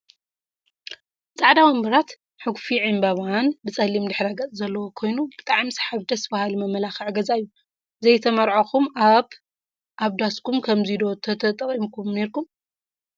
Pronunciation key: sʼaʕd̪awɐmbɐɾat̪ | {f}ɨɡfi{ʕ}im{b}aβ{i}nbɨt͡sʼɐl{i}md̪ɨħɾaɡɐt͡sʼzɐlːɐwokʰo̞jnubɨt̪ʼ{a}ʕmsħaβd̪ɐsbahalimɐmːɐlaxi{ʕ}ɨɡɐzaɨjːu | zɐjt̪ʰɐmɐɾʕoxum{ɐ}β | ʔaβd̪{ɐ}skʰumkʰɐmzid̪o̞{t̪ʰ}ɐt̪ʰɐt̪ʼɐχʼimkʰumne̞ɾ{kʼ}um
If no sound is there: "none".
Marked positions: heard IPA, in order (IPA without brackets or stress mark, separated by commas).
ħ, ʕ, b, a, i, a, ʕ, a, a, t̪ʰ, k